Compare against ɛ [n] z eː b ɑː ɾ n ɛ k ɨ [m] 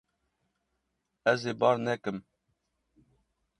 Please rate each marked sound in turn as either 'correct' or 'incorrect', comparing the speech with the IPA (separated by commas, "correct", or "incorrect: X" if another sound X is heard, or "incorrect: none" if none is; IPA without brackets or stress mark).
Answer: incorrect: none, correct